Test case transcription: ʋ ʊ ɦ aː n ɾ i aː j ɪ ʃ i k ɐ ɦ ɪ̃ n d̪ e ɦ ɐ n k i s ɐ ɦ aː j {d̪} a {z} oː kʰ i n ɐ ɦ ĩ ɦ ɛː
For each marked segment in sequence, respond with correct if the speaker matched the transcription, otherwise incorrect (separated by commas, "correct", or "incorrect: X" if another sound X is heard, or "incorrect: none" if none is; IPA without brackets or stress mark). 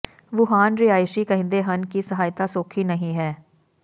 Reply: incorrect: t̪, incorrect: s